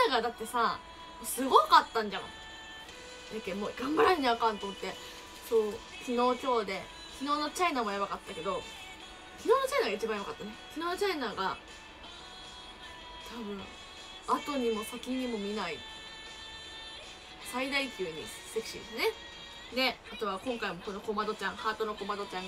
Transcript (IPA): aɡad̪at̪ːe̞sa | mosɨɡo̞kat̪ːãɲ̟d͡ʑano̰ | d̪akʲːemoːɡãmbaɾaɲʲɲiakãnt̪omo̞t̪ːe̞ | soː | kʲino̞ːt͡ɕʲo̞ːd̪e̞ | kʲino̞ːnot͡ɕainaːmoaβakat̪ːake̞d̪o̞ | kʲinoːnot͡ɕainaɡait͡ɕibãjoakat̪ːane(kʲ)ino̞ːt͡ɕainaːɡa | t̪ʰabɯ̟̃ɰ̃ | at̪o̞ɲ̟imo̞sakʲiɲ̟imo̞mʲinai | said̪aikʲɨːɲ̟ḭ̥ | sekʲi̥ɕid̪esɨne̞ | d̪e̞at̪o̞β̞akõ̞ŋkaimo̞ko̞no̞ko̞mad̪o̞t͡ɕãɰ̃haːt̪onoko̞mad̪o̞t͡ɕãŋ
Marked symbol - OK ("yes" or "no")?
yes